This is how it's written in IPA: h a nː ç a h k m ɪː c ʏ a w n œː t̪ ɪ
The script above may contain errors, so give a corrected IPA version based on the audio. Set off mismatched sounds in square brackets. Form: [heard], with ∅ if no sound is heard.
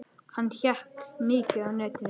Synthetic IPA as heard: h a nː ç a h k [n] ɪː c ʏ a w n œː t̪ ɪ